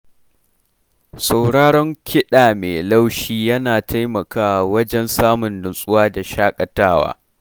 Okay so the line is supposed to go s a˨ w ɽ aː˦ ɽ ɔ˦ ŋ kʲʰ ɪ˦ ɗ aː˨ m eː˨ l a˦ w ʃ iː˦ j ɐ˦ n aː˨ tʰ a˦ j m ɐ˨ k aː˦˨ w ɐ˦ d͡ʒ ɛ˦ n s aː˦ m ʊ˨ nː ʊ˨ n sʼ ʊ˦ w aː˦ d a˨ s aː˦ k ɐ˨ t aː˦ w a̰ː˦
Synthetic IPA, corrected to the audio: s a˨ w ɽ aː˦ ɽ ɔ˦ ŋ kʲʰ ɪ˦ ɗ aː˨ m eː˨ l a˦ w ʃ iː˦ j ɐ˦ n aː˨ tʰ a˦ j m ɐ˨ k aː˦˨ w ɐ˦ d͡ʒ ɛ˦ n s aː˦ m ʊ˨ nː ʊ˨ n sʼ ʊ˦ w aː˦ d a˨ ʃ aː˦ kʼ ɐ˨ t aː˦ w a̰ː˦